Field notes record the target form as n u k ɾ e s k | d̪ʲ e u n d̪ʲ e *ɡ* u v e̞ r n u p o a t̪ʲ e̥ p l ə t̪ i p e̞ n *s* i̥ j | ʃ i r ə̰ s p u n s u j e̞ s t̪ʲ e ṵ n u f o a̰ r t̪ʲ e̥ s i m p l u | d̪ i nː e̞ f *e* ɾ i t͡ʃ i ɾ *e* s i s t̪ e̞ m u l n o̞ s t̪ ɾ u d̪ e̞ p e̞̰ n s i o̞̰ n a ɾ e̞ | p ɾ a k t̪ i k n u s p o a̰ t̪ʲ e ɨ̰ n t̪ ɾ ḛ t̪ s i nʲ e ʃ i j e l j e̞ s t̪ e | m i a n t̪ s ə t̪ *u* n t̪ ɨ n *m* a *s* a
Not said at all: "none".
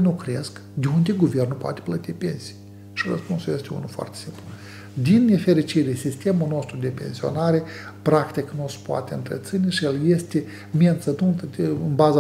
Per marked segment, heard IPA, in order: ɡ, s, e, e, u, b, z

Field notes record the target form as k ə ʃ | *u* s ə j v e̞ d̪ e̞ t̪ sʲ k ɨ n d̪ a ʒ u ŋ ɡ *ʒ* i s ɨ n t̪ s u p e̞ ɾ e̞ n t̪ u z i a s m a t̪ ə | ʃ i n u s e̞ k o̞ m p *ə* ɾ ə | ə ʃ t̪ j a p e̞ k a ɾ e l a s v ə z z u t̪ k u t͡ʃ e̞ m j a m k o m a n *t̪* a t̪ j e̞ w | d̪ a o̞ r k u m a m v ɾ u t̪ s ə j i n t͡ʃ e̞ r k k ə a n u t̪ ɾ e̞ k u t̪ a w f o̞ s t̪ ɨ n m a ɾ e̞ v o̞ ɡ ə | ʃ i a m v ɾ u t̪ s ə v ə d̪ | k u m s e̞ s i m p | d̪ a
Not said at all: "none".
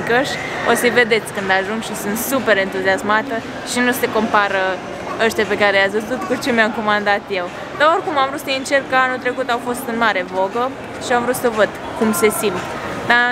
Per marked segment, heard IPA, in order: o, ʃ, a, d̪

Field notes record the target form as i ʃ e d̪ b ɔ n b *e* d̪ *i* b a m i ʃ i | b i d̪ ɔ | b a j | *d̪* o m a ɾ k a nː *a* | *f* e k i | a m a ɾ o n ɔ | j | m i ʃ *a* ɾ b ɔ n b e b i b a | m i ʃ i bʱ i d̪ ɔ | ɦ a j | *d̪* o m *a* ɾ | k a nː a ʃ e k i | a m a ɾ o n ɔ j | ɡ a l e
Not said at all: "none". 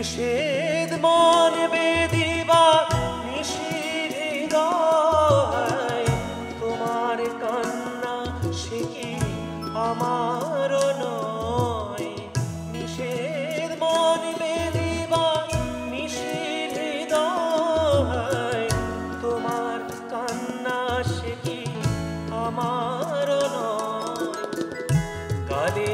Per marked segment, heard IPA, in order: e, i, t̪, a, ʃ, e, t̪, a

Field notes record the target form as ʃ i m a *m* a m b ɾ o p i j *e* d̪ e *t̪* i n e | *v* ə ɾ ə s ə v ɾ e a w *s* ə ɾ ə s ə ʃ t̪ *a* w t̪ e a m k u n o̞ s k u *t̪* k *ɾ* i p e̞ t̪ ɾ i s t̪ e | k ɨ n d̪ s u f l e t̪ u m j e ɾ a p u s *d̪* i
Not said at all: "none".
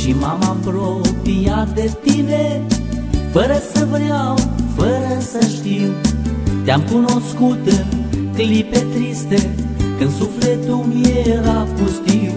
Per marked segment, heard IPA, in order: m, a, t̪, f, f, i, t̪, l, t̪

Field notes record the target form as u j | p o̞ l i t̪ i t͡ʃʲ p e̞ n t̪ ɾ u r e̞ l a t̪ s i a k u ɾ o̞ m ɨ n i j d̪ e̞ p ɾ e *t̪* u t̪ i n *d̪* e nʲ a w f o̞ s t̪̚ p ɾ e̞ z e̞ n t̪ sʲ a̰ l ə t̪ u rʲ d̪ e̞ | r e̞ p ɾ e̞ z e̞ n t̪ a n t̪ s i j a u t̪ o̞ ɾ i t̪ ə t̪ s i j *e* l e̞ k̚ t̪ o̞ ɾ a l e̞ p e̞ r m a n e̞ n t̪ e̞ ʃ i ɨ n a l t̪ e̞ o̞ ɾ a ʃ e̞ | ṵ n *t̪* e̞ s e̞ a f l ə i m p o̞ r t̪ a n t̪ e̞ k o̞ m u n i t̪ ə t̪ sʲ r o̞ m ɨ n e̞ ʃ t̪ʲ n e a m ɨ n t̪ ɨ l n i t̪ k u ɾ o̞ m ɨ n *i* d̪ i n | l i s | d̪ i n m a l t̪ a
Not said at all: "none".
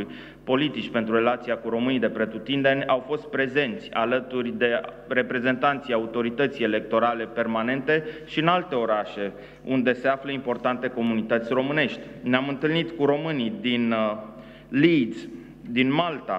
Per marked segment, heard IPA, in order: t̪, d̪, e, d̪, i

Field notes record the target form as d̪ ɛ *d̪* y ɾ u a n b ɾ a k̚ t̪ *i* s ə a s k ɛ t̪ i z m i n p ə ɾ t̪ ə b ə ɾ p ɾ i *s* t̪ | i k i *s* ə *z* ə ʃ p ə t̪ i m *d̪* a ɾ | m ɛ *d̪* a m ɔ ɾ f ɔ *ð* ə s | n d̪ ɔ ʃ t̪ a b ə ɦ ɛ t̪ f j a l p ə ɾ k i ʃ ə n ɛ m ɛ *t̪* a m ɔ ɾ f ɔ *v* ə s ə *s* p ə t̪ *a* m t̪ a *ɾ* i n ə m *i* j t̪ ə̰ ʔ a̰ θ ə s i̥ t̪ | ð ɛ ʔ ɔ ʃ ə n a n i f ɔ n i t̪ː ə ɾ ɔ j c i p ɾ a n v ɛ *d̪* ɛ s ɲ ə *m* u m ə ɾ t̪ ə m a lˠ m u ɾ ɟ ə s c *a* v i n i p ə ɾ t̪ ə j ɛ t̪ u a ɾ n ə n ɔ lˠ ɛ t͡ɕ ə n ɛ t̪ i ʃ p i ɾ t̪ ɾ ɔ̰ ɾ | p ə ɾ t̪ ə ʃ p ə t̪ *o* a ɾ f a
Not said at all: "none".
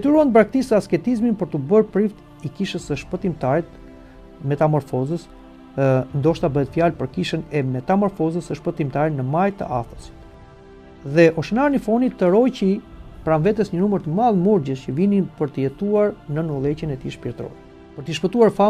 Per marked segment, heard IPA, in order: t̪, i, f, ʃ, s, t̪, t̪, z, t̪, z, ʃ, i, ɾ, a, t̪, n, ə, u

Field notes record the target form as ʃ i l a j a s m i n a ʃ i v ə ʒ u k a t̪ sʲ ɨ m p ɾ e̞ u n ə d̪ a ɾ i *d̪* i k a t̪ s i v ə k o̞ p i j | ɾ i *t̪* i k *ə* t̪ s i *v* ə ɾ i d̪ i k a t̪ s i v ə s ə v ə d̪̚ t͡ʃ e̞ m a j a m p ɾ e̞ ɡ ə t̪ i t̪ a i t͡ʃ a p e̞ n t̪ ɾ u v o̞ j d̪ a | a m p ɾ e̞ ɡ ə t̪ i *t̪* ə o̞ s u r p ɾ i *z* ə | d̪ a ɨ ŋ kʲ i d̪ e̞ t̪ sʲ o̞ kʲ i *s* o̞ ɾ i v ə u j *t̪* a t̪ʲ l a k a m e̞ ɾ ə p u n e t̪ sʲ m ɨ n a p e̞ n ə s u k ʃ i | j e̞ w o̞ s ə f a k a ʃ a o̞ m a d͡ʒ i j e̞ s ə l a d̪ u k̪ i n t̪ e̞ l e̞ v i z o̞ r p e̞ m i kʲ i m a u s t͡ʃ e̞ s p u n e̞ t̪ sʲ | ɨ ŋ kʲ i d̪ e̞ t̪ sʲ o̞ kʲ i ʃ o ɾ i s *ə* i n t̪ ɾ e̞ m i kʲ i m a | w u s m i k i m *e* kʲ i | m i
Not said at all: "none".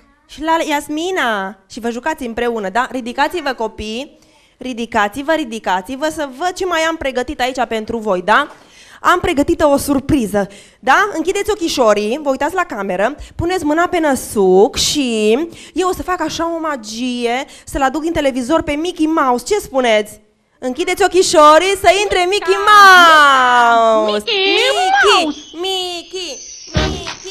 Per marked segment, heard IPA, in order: d̪, d̪, a, v, t̪, z, ʃ, t̪, ə, i

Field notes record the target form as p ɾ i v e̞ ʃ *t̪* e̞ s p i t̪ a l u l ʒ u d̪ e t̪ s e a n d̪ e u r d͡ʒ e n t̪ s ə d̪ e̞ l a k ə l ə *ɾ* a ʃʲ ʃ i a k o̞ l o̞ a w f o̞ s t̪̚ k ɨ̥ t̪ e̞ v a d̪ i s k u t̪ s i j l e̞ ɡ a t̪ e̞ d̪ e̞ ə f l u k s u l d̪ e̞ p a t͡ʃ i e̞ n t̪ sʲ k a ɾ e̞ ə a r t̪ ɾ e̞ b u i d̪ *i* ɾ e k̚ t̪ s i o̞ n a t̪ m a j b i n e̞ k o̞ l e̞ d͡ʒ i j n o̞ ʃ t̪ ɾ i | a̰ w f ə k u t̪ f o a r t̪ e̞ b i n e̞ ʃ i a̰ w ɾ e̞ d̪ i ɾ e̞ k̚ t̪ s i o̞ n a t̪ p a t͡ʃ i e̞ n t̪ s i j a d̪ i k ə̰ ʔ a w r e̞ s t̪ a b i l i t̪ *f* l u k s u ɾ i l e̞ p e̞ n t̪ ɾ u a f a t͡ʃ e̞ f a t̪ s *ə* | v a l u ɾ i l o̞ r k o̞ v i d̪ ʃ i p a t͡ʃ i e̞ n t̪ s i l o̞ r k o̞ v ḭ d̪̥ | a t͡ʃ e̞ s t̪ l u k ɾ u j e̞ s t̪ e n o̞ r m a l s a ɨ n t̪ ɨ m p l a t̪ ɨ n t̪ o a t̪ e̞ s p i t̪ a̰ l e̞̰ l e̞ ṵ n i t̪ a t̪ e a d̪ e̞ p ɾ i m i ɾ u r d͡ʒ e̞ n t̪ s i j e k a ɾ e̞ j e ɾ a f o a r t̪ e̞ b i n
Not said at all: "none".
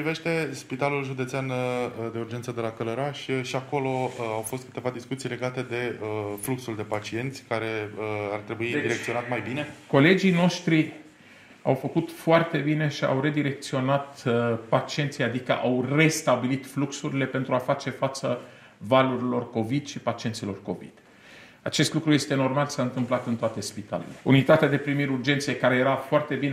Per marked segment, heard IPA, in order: t̪, ɾ, i, f, ə

